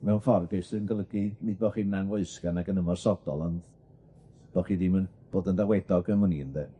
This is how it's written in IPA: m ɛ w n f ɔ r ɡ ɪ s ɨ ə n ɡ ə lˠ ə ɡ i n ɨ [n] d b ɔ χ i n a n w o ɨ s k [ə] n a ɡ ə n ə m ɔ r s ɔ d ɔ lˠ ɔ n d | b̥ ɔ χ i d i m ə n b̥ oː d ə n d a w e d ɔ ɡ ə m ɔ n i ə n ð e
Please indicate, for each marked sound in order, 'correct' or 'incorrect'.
incorrect: none, incorrect: a

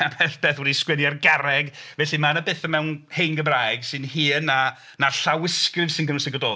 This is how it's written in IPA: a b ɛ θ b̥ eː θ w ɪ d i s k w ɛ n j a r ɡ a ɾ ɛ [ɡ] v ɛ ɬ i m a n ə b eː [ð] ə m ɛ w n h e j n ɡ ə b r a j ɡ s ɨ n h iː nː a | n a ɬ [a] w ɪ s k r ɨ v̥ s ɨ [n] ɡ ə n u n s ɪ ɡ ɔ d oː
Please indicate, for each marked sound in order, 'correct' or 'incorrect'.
correct, incorrect: θ, correct, correct

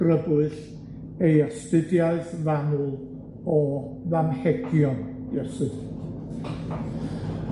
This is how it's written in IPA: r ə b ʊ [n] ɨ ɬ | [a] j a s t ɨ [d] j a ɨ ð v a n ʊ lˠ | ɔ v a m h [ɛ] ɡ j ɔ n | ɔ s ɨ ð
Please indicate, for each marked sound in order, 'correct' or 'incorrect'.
incorrect: none, incorrect: e, correct, correct

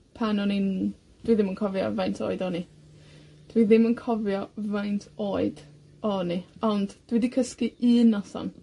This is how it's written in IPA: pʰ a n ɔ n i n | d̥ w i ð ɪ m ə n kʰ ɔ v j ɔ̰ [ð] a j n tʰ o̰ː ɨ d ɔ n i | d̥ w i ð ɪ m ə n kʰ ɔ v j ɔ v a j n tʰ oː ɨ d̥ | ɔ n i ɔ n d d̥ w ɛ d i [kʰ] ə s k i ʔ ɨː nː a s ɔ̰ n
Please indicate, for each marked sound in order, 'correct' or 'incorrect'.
incorrect: v, correct

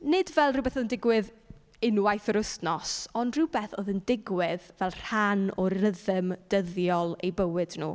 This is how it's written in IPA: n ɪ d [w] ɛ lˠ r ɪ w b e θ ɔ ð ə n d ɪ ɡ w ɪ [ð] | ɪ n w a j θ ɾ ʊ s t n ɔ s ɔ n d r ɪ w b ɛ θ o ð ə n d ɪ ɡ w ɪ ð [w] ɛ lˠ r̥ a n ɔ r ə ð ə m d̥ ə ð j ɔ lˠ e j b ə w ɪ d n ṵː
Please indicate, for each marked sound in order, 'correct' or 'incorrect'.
incorrect: v, correct, incorrect: v

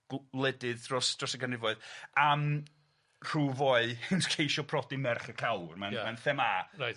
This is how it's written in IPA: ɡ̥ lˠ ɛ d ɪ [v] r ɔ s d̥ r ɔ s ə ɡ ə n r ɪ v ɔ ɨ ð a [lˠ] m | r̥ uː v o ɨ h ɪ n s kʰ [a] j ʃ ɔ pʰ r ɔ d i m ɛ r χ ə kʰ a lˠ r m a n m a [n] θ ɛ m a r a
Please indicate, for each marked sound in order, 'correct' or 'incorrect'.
incorrect: ð, incorrect: none, incorrect: e, correct

